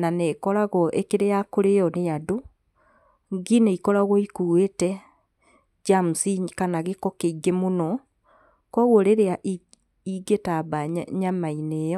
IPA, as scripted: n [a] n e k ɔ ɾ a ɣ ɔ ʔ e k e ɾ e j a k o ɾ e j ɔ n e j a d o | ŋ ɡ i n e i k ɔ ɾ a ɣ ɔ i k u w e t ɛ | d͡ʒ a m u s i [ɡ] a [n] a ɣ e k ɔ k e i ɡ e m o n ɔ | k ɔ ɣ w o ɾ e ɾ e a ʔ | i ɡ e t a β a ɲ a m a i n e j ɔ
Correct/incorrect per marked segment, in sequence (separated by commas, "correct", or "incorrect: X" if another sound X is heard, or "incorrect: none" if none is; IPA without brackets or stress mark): correct, incorrect: k, correct